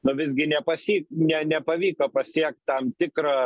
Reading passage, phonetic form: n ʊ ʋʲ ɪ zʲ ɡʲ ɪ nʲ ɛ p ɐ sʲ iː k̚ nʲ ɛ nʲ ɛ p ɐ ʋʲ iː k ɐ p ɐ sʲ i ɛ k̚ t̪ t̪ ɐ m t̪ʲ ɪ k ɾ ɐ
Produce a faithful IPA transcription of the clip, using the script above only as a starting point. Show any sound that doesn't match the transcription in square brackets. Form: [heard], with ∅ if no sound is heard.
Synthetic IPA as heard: n ʊ ʋʲ ɪ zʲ ɡʲ ɪ nʲ ɛ p ɐ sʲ iː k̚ nʲ ɛ nʲ ɛ p ɐ ʋʲ iː k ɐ p ɐ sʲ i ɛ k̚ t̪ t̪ ɐ m t̪ʲ ɪ k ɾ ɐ